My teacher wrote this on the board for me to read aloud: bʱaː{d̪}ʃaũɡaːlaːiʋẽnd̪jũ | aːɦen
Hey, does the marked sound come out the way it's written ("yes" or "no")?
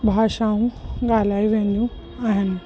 no